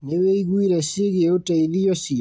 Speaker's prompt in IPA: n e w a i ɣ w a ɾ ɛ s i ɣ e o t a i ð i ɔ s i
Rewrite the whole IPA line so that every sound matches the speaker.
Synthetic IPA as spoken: n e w e i ɣ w i ɾ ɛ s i ɣ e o t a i ð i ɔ s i